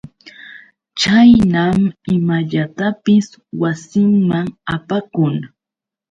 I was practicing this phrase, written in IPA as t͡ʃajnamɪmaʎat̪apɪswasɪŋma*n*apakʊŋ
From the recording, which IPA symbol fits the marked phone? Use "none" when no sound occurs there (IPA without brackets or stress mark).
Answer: ŋ